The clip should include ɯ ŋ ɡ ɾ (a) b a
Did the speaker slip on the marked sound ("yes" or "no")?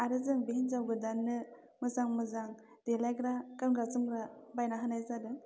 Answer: no